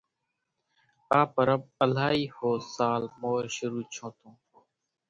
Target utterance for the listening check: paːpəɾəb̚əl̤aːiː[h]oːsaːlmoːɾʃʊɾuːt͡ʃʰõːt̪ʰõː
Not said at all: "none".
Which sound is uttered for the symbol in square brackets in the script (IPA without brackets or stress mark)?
h